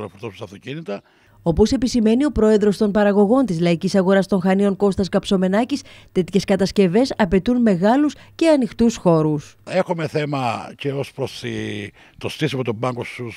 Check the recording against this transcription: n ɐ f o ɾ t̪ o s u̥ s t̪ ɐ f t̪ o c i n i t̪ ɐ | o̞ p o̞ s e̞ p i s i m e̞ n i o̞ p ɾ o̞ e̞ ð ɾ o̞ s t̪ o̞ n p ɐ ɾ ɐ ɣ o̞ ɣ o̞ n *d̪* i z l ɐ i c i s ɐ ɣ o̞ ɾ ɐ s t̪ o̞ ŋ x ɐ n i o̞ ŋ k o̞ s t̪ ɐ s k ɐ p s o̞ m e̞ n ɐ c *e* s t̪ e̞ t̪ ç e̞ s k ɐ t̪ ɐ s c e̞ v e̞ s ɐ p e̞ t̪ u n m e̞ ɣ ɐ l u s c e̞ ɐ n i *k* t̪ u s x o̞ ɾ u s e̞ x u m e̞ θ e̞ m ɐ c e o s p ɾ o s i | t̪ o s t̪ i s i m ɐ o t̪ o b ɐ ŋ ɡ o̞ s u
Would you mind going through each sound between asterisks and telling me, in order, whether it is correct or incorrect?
incorrect: t̪, incorrect: i, incorrect: x

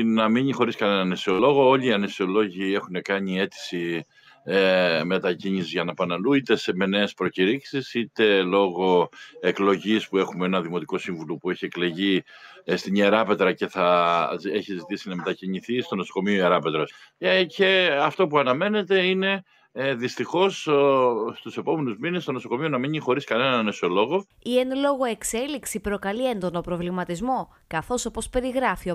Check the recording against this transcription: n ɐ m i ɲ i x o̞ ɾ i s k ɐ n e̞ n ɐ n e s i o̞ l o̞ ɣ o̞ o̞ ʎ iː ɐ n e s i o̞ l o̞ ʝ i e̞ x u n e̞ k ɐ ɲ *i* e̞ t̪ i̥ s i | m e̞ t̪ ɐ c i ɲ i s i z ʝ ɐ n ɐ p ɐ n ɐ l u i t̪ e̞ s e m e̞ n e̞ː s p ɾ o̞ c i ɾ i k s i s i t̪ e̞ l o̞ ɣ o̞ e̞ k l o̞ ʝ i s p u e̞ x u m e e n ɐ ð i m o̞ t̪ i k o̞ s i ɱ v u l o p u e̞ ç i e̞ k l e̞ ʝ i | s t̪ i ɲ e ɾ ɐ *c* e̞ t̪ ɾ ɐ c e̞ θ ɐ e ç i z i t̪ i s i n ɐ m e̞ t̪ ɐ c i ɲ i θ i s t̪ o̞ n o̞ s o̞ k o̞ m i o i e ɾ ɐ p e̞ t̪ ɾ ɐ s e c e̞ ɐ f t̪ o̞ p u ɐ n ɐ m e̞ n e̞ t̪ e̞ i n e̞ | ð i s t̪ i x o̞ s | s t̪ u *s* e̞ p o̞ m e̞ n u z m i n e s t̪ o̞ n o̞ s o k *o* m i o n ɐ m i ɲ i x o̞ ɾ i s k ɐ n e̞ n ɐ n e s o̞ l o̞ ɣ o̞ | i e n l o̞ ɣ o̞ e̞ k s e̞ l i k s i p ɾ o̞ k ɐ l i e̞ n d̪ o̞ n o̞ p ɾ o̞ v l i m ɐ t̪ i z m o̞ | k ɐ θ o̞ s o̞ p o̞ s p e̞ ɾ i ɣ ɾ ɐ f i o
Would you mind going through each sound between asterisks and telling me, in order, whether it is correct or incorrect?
correct, incorrect: p, correct, correct

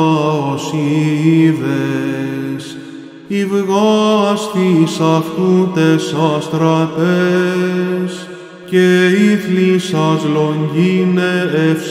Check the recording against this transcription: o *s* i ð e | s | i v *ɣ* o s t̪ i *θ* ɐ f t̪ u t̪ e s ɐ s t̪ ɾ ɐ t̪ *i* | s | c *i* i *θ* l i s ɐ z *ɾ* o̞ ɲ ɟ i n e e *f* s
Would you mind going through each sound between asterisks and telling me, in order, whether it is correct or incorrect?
correct, correct, incorrect: s, incorrect: e, incorrect: e, correct, incorrect: l, correct

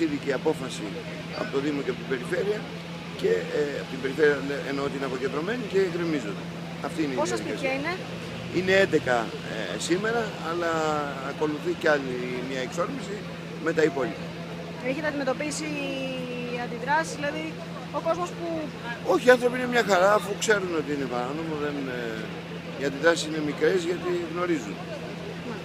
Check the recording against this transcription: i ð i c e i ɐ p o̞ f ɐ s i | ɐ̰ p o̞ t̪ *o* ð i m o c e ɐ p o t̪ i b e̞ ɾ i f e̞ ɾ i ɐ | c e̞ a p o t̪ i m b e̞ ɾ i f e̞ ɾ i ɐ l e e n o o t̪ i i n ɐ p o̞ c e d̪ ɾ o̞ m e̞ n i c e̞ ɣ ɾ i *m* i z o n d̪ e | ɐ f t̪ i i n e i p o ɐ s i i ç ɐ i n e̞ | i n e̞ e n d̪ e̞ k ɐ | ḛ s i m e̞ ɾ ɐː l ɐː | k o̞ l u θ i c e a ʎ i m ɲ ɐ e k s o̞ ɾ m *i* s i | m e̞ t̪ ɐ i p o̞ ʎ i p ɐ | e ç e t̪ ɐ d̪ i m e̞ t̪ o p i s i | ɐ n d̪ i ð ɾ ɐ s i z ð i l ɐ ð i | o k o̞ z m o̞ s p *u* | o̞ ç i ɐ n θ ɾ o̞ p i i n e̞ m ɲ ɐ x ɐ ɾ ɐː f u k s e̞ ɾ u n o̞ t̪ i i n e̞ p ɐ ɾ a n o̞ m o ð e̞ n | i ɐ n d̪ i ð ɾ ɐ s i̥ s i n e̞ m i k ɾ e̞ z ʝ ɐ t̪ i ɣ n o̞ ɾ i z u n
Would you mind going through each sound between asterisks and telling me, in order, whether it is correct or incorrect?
correct, correct, correct, correct

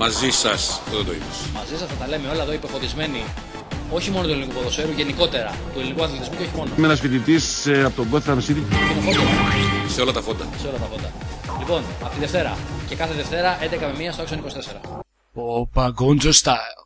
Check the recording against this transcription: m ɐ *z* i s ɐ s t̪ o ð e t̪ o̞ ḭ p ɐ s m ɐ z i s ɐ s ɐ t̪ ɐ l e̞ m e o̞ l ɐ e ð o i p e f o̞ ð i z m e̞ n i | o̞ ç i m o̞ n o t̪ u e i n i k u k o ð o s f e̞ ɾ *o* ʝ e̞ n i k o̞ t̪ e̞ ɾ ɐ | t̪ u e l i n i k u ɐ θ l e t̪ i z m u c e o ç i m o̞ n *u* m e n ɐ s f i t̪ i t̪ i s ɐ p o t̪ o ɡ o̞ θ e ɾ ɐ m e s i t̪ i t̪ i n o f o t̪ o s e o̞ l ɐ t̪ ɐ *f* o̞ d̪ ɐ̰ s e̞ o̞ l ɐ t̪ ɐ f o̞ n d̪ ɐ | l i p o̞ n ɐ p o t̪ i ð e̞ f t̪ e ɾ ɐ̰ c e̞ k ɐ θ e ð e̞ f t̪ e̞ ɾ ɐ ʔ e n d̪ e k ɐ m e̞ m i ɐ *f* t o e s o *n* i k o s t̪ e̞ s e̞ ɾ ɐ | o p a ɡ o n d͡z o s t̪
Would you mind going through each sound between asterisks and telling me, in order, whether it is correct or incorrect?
correct, incorrect: u, incorrect: o, correct, incorrect: s, correct

